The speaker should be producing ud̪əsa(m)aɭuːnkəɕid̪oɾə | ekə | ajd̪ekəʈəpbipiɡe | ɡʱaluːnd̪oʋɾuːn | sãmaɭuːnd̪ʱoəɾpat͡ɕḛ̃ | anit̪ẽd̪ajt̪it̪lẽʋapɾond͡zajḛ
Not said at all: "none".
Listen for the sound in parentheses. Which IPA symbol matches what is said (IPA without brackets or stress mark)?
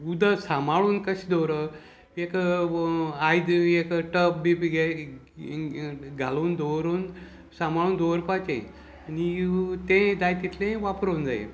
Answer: m